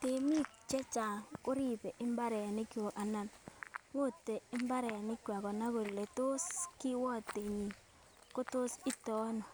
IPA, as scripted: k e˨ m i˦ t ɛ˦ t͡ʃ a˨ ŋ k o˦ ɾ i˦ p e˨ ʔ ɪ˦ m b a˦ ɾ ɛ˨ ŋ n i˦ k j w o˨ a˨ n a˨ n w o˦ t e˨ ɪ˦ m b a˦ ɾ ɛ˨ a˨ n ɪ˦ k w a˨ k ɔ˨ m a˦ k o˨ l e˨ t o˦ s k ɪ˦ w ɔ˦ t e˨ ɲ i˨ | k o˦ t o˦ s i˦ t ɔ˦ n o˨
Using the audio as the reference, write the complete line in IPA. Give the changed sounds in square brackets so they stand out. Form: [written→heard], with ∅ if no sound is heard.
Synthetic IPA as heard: [k→t] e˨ m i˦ [t→t͡ʃ] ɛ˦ t͡ʃ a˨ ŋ k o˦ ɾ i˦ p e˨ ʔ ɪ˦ m b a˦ ɾ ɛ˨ [ŋ→∅] n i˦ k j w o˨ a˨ n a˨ n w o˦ t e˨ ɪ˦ m b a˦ ɾ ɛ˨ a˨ n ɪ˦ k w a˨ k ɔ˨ [m→n] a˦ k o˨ l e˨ t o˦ s k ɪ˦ w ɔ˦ t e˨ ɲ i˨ | k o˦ t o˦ s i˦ t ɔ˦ n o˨